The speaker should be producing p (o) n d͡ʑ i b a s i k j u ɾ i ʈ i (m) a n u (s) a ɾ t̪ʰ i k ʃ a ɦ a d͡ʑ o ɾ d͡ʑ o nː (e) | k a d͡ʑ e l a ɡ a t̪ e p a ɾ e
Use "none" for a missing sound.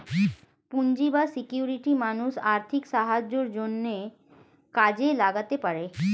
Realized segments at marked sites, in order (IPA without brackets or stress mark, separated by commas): u, m, ʃ, e